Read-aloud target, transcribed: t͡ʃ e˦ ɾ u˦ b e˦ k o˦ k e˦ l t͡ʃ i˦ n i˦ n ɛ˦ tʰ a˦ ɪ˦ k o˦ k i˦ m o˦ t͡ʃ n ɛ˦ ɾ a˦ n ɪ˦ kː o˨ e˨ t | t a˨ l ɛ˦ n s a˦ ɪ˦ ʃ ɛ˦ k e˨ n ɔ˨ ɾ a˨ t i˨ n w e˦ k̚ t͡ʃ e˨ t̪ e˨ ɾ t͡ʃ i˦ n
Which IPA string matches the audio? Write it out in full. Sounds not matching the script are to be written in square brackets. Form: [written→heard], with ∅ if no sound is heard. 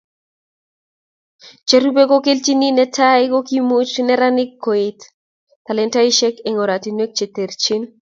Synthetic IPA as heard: t͡ʃ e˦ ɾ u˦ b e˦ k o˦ k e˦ l t͡ʃ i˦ n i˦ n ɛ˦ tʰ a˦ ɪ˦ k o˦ k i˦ m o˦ t͡ʃ n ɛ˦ ɾ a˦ n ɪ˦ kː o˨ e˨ t | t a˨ l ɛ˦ n [s→t] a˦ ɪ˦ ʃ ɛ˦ k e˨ [n→ŋ] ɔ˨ ɾ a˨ t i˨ n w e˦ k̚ t͡ʃ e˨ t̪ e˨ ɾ t͡ʃ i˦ n